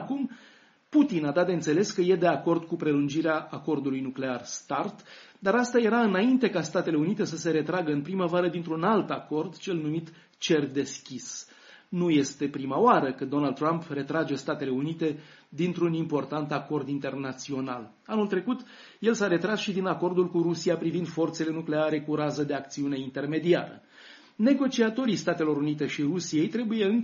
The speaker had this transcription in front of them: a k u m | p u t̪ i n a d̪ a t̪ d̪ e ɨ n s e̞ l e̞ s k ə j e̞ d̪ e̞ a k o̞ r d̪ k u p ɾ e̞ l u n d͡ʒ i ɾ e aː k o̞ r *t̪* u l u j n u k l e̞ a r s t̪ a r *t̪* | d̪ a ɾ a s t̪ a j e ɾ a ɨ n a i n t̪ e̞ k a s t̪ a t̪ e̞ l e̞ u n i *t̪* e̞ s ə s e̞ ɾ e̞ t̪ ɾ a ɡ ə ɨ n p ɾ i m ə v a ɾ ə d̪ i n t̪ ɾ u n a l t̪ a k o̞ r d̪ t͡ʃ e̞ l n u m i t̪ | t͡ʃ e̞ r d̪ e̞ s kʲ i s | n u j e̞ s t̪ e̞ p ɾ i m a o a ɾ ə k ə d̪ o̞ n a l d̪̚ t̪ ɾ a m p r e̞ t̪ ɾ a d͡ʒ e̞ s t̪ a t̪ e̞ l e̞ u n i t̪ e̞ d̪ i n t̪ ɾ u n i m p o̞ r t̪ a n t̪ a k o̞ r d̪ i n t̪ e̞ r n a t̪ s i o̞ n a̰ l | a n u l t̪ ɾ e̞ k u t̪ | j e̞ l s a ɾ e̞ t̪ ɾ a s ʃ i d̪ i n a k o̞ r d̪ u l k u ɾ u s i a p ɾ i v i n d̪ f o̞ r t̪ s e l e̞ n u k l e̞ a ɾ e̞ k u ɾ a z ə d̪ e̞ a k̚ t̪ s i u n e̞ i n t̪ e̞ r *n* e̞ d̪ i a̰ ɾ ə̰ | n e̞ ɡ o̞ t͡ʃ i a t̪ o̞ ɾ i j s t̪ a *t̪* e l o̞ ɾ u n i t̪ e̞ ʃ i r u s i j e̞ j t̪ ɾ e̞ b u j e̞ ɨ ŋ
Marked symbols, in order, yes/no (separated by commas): no, yes, yes, no, yes